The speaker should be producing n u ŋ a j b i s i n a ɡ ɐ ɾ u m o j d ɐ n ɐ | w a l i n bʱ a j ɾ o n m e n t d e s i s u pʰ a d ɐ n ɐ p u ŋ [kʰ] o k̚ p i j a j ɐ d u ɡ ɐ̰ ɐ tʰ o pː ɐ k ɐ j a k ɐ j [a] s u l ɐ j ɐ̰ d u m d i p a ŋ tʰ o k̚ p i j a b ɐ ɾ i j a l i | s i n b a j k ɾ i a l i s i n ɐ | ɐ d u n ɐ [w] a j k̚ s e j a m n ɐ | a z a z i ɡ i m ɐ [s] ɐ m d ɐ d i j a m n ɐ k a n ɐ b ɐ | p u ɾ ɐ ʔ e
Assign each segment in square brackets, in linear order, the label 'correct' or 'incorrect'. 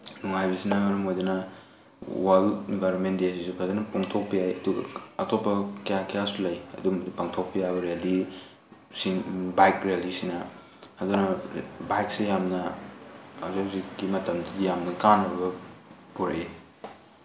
incorrect: tʰ, correct, incorrect: b, incorrect: t

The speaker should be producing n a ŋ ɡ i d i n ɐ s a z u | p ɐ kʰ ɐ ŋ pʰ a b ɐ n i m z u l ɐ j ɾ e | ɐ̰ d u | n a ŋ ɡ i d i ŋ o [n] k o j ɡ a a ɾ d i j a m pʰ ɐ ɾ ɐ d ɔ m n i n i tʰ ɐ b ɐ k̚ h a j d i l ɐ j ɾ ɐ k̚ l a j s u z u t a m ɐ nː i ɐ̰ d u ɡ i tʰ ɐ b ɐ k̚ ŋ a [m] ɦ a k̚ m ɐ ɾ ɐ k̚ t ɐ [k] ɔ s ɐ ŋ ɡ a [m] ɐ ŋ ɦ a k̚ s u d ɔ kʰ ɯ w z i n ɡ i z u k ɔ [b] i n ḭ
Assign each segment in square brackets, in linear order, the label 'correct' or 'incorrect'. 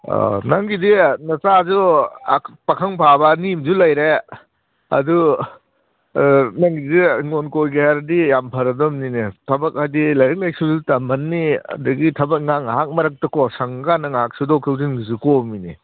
correct, incorrect: ŋ, correct, incorrect: n, incorrect: m

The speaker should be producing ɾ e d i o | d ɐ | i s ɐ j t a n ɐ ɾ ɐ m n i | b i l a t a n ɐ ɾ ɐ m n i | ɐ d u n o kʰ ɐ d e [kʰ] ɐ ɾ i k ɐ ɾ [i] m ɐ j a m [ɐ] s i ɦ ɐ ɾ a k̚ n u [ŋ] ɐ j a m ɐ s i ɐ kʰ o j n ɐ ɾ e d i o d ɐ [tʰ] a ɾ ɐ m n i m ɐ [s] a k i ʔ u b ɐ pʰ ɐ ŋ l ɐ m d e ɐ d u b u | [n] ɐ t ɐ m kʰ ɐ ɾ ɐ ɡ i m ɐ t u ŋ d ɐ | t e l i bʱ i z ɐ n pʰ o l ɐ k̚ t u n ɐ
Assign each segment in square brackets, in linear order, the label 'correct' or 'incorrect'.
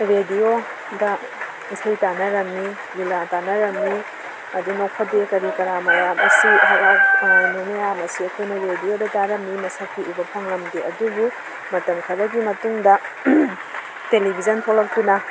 incorrect: k, incorrect: a, correct, incorrect: n, incorrect: t, correct, incorrect: m

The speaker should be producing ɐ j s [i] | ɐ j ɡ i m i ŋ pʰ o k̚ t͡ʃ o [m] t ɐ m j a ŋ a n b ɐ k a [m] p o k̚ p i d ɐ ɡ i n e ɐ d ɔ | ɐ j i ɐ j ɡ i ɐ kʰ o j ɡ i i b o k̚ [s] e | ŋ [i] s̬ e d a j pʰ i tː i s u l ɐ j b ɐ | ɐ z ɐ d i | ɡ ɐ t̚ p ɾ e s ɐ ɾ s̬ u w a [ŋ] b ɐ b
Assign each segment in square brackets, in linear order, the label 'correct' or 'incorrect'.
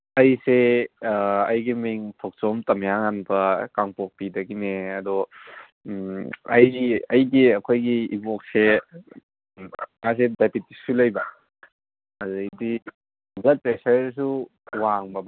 incorrect: e, correct, incorrect: ŋ, correct, incorrect: a, correct

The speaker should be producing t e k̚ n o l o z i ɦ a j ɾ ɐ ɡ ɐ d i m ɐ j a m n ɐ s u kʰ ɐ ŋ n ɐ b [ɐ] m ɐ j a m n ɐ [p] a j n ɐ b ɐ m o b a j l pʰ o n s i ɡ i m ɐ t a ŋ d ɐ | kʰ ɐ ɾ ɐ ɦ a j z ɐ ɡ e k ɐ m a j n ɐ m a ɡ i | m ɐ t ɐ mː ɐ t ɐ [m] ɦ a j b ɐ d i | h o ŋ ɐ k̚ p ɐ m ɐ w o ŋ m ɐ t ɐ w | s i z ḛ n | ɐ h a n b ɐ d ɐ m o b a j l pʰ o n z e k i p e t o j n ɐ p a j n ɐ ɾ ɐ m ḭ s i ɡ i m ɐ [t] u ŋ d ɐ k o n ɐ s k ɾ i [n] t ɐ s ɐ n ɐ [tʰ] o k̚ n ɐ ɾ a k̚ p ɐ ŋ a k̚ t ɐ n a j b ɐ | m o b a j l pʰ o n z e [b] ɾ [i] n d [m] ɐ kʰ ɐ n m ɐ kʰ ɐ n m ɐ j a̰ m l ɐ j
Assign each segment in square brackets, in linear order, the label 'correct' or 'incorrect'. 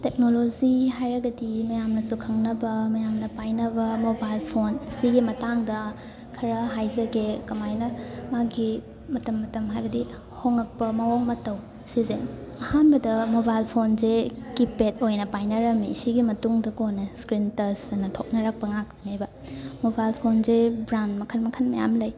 correct, correct, correct, correct, correct, correct, correct, incorrect: a, correct

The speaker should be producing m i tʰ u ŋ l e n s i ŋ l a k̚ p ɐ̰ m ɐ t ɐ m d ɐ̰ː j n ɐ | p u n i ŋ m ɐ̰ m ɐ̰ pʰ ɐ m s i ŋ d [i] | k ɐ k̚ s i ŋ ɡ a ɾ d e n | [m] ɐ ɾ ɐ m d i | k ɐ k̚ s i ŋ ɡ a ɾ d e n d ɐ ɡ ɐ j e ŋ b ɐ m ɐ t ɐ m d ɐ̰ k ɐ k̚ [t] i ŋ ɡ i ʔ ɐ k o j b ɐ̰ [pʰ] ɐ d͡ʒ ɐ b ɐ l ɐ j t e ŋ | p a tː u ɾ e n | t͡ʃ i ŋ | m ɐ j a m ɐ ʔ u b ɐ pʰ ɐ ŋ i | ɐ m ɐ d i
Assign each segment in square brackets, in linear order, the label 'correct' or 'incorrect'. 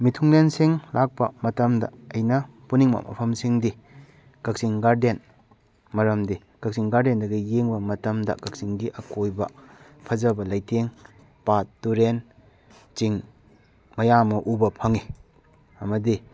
correct, correct, incorrect: s, correct

